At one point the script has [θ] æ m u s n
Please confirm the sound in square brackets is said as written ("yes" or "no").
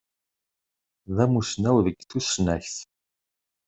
no